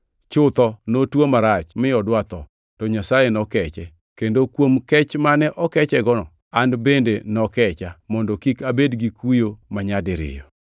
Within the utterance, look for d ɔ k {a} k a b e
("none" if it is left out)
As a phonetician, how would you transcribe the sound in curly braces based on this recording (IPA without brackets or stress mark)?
i